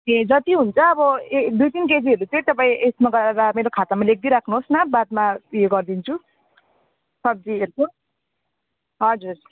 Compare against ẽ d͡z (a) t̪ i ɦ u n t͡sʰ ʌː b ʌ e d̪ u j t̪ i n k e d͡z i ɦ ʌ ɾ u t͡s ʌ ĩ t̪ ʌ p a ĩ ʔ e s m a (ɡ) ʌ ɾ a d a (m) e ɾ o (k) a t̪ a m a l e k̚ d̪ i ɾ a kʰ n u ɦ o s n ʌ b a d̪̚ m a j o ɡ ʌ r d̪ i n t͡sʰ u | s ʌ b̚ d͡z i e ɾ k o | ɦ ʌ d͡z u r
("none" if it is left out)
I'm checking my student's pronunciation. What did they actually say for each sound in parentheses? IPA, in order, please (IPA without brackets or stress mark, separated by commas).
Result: ʌ, ɡ, m, kʰ